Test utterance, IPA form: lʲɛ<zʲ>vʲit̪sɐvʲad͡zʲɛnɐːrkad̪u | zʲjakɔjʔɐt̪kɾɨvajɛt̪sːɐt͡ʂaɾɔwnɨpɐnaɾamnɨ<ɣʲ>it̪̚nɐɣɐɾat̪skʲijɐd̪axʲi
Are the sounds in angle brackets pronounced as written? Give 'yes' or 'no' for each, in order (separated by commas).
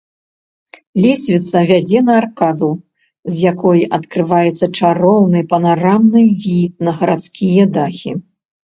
no, no